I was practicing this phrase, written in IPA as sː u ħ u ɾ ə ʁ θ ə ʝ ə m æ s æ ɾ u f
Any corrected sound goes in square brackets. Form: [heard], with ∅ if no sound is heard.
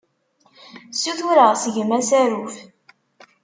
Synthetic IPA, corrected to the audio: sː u [θ] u ɾ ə ʁ [s] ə ʝ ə m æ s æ ɾ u f